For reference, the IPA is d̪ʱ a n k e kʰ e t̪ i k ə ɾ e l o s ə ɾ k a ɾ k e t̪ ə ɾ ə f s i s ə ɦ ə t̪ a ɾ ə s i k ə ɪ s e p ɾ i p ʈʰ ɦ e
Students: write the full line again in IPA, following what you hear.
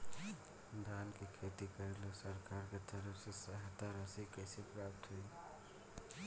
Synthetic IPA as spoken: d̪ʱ a n k e kʰ e t̪ i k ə ɾ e l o s ə ɾ k a ɾ k e t̪ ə ɾ ə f s e s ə ɦ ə t̪ a ɾ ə s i k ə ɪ s e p ɾ a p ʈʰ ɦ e